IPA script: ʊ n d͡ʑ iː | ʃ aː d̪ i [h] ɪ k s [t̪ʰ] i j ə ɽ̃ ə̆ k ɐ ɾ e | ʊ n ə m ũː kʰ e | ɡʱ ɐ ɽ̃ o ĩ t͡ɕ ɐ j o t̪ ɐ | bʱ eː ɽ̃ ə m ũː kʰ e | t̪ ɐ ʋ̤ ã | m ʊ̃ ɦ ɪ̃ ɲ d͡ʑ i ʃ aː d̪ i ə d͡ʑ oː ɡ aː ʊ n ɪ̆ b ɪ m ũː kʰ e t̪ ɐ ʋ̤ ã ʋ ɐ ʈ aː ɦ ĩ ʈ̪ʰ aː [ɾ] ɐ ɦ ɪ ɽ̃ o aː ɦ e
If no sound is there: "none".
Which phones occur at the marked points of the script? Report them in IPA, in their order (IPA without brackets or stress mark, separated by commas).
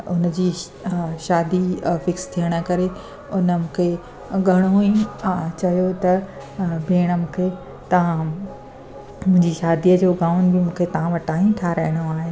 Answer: f, t̪ʰ, ɾ